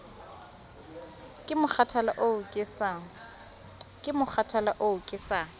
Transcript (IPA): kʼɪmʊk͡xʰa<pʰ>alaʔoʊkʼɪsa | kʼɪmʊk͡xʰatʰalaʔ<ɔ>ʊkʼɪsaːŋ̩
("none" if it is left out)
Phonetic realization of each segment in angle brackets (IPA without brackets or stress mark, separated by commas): tʰ, o